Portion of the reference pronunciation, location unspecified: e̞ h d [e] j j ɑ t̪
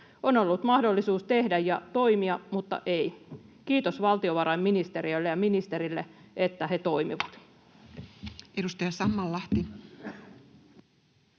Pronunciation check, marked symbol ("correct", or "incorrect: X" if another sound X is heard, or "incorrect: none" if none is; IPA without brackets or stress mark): incorrect: æ